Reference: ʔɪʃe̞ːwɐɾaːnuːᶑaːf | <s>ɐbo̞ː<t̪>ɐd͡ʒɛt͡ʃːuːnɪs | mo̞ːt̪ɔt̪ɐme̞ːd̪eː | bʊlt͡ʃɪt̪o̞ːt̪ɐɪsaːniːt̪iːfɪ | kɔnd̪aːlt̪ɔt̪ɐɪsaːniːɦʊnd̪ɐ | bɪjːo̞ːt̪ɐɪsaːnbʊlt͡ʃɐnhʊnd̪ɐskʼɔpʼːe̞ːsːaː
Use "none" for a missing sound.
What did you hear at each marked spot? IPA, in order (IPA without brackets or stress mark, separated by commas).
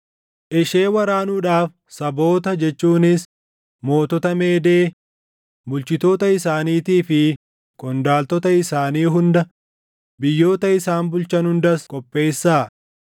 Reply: s, t̪